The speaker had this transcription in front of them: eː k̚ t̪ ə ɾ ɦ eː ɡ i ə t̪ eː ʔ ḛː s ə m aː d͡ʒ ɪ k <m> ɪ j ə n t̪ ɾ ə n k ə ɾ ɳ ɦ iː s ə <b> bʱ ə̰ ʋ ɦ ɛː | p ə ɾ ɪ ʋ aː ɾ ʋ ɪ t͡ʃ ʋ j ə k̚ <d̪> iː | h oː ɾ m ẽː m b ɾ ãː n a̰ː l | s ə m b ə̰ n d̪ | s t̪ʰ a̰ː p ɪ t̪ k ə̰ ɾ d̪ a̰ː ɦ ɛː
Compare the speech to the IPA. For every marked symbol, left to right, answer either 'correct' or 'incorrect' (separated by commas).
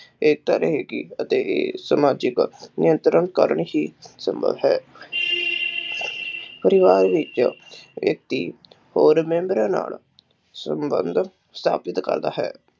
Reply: incorrect, incorrect, incorrect